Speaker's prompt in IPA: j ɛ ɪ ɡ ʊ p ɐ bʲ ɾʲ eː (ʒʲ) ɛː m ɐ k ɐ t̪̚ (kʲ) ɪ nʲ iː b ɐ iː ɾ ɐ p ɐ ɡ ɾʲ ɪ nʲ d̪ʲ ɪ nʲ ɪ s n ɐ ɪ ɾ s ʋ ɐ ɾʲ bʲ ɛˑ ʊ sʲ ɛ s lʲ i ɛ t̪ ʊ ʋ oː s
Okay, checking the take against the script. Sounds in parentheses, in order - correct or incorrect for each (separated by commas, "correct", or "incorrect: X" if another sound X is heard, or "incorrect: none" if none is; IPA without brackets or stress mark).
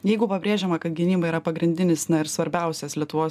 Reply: correct, incorrect: ɡʲ